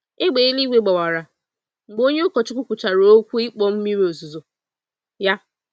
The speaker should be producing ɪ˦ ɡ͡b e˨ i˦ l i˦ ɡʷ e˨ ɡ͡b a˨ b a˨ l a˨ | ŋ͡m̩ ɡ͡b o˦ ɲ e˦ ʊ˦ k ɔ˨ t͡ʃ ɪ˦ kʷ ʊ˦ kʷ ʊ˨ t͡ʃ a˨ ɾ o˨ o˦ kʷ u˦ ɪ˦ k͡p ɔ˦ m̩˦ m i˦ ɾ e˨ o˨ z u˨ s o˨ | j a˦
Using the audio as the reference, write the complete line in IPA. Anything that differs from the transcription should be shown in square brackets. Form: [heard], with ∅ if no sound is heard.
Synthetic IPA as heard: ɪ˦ ɡ͡b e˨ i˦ l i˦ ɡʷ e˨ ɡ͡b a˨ [w] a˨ [ɾ] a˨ | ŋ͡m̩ ɡ͡b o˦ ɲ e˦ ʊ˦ k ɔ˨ t͡ʃ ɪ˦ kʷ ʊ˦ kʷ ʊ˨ t͡ʃ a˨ ɾ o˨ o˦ kʷ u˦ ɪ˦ k͡p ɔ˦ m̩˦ m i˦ ɾ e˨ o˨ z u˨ [z] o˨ | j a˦